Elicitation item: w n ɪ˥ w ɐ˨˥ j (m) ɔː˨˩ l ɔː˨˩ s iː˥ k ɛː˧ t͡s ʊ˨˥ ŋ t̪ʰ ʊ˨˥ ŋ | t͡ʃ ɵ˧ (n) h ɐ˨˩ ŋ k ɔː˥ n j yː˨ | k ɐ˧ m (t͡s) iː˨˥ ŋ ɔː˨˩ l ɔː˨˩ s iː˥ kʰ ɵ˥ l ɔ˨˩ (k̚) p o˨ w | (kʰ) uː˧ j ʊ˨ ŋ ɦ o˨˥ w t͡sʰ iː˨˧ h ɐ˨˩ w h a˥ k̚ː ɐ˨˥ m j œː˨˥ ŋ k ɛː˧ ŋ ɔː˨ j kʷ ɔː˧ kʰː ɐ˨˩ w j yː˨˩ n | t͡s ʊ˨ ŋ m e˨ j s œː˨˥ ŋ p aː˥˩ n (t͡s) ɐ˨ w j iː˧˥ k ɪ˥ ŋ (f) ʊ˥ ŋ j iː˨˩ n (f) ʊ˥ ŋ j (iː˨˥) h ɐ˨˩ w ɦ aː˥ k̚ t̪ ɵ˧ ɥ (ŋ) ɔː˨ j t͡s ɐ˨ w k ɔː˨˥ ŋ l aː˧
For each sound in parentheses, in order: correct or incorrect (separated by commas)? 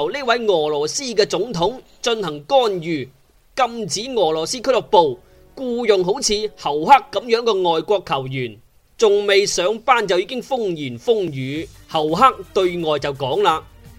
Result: incorrect, correct, correct, correct, incorrect, correct, correct, correct, incorrect, correct